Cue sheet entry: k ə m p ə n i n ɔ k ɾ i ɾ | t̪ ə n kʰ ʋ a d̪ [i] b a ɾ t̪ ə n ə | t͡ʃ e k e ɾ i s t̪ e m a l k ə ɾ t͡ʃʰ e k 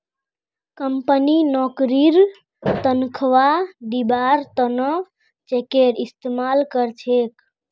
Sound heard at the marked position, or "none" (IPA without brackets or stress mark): i